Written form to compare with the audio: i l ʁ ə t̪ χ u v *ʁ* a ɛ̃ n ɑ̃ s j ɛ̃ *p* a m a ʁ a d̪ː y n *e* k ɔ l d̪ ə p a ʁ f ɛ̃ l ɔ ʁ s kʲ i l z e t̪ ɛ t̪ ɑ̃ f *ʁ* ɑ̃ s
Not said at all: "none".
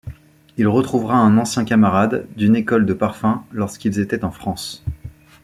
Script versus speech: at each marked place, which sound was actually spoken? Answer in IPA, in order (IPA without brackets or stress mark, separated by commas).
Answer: ʁ, k, e, χ